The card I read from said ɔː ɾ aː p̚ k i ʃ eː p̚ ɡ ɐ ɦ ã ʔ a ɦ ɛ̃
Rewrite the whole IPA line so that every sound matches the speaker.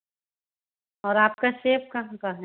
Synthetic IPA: ɔː ɾ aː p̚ k a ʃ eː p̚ k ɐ ɦ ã k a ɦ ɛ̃